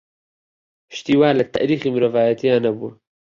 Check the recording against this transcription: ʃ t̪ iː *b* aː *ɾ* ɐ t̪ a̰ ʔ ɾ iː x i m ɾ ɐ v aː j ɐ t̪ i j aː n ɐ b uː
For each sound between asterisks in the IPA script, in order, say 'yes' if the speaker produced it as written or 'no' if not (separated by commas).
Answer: no, no